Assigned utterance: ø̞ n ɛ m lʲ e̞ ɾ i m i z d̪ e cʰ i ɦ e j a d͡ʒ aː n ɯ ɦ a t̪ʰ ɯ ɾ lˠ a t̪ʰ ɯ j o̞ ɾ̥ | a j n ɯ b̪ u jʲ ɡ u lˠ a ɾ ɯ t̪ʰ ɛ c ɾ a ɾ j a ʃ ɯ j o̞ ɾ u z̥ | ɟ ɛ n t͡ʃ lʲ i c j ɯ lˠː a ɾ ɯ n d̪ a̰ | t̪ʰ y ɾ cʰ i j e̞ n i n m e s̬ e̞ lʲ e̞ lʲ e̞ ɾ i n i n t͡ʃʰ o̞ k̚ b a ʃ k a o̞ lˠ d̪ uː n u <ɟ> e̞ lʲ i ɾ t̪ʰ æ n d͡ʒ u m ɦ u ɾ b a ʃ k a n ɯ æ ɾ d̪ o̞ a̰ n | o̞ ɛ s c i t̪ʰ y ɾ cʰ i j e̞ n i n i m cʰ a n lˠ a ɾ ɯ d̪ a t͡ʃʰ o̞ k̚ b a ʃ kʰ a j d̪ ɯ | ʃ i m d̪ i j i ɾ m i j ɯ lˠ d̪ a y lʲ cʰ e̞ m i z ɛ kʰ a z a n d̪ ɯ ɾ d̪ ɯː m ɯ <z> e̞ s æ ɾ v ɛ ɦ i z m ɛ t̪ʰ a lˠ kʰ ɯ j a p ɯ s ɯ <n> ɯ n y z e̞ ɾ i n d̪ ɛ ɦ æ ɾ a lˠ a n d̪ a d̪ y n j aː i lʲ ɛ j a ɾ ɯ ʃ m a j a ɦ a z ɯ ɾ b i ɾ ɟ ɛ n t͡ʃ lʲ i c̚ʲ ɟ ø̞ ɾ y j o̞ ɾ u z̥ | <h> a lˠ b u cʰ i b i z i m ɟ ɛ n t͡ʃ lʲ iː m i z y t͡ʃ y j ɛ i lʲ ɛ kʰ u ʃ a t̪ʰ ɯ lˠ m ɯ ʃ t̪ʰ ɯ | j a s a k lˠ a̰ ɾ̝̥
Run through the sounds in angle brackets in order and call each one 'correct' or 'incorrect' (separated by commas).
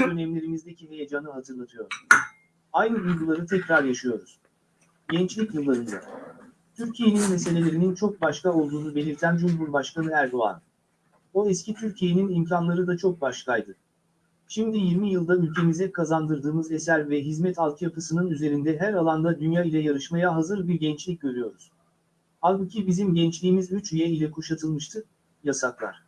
incorrect, correct, correct, correct